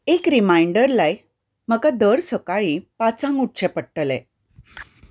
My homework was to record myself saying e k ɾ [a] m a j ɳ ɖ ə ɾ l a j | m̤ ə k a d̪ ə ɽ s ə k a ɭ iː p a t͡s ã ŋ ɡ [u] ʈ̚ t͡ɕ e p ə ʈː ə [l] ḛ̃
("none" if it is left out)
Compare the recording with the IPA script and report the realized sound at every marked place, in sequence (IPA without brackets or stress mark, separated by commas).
i, u, l